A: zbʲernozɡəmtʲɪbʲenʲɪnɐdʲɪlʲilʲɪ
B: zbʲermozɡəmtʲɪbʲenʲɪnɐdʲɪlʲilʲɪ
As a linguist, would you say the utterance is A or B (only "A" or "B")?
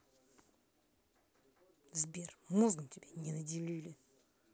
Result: B